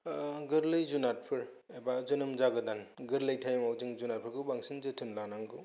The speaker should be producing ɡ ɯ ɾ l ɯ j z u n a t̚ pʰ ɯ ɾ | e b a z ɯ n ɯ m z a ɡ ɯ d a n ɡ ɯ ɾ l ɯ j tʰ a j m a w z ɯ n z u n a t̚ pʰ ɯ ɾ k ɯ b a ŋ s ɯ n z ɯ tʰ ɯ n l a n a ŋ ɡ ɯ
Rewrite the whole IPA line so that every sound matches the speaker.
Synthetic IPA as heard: ɡ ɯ ɾ l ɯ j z u n a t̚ pʰ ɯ ɾ | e b a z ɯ n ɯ m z a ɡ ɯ d a n ɡ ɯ ɾ l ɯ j tʰ a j m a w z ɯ ŋ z u n a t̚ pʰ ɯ ɾ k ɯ b a ŋ s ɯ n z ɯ tʰ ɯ n l a n a ŋ ɡ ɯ